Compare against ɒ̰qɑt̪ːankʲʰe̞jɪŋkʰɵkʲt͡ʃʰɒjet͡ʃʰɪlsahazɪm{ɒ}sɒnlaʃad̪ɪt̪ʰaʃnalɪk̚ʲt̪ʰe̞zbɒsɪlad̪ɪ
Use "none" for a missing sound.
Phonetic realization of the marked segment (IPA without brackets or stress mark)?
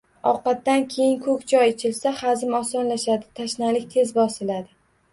ɒ